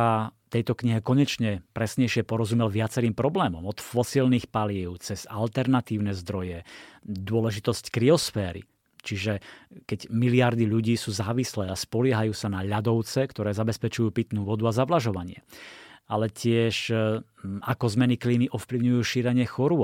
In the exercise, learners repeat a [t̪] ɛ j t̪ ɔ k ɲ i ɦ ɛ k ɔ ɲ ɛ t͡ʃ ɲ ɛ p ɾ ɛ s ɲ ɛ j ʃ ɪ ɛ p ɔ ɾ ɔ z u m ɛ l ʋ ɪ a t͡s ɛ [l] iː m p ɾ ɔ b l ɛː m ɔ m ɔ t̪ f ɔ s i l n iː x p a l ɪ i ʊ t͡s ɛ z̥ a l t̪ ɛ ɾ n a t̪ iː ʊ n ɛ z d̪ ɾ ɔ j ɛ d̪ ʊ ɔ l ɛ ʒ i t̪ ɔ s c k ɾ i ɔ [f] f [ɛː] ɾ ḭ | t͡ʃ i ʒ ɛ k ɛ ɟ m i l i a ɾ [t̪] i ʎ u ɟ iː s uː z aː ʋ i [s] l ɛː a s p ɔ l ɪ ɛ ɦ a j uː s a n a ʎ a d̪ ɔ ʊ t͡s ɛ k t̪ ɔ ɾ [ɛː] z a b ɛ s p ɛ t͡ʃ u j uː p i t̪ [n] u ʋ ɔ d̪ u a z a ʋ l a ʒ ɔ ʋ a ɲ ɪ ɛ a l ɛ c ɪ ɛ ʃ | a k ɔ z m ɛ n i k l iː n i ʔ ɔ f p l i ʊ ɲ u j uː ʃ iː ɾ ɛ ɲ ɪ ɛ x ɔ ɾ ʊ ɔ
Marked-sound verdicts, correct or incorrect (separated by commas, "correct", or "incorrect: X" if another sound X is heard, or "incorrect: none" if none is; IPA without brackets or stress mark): correct, incorrect: ɾ, incorrect: s, correct, incorrect: d̪, correct, correct, correct